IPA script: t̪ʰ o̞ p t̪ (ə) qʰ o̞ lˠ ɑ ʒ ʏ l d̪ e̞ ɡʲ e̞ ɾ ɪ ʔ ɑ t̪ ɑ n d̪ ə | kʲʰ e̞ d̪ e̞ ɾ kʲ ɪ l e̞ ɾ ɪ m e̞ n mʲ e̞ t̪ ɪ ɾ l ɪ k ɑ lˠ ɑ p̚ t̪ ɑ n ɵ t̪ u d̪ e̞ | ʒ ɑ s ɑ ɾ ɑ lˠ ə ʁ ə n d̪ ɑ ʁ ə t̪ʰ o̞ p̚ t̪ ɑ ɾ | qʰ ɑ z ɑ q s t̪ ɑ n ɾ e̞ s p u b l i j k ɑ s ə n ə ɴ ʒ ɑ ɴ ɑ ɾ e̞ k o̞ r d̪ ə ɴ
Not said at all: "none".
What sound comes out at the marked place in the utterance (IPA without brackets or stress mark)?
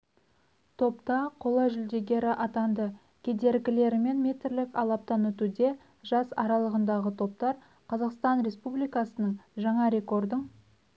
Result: ɑ